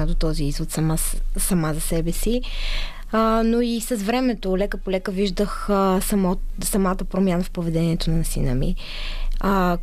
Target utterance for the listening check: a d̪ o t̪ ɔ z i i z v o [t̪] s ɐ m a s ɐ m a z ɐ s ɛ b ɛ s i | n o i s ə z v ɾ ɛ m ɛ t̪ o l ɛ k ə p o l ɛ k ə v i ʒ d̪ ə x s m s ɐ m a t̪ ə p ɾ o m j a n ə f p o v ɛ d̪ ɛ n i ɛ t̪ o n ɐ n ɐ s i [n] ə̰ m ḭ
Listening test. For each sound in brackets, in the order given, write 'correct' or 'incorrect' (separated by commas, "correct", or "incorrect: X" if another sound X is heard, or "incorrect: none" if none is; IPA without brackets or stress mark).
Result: correct, correct